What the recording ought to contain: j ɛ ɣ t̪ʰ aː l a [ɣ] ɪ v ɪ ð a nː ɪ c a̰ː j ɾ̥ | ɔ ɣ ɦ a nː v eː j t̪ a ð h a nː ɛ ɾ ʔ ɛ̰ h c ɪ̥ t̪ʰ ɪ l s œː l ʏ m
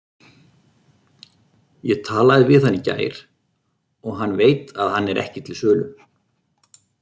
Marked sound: incorrect: ð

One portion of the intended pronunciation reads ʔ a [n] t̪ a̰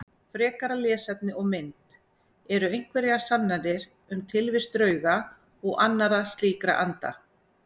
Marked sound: correct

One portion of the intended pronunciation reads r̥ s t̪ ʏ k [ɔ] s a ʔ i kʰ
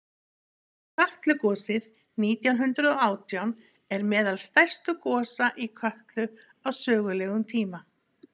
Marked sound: incorrect: ɔː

